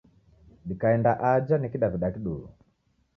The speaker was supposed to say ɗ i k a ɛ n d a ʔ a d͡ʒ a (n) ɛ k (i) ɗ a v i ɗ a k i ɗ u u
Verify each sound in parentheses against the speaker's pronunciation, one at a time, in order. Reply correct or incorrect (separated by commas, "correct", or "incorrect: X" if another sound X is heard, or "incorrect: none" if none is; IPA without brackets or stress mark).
correct, correct